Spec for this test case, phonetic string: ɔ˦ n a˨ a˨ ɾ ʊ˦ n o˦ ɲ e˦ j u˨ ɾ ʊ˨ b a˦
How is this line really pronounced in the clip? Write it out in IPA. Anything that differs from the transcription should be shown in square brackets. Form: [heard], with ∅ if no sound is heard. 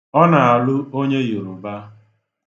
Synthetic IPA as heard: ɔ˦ n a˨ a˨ [l] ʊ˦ [∅] o˦ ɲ e˦ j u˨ ɾ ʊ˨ b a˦